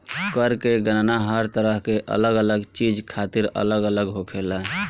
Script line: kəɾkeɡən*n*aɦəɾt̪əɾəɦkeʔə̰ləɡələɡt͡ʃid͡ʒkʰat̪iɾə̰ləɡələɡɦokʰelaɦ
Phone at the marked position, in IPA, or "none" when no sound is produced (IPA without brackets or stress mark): n